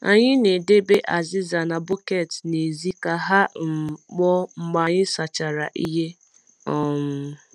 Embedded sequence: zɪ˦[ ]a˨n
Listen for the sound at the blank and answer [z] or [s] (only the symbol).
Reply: z